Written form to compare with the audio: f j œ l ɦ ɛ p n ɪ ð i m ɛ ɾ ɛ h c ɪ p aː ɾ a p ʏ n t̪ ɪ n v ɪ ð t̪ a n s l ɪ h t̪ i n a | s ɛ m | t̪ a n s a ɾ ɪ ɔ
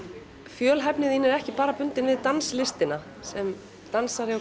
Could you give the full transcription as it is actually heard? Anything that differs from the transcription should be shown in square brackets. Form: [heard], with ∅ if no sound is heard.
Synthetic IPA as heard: f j [œː] l ɦ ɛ p n ɪ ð i [n] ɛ ɾ ɛ h c ɪ p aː ɾ a p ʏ n t̪ ɪ n v ɪ ð t̪ a n s l ɪ [s] t̪ [ɪ] n a | s ɛ m | t̪ a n s a ɾ ɪ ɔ